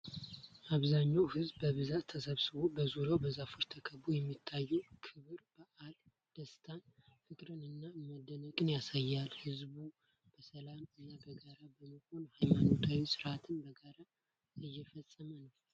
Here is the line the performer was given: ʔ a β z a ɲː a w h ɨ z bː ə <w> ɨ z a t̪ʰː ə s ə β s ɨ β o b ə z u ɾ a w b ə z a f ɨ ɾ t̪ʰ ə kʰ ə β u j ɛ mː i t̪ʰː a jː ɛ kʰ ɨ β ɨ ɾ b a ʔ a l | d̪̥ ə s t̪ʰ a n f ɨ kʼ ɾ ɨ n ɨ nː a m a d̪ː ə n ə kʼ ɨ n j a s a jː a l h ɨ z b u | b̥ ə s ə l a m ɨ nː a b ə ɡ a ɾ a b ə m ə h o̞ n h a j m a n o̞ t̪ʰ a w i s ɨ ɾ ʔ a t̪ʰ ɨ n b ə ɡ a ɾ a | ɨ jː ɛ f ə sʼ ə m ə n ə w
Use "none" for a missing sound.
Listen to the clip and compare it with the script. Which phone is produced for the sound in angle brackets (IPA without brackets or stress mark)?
β